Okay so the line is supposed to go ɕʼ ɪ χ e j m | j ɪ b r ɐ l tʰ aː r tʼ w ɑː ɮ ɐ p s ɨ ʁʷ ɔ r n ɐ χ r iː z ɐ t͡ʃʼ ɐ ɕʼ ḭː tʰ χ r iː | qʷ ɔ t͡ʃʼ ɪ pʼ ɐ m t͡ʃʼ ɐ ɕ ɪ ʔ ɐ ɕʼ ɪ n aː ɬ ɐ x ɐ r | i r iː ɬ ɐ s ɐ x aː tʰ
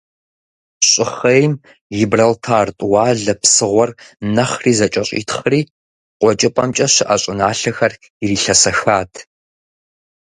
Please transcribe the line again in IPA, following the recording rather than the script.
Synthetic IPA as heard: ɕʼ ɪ χ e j m | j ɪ b r ɐ l tʰ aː r tʼ w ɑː ɮ ɐ p s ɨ ʁʷ ɔ r n ɐ χ r iː z ɐ t͡ʃʼ ɐ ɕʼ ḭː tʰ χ r iː | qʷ ɔ t͡ʃʼ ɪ pʼ ɐ m t͡ʃʼ ɐ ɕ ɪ ʔ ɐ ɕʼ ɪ n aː ɬ ɐ x ɐ r | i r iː ɬ ɐ s ɐ x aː tʰ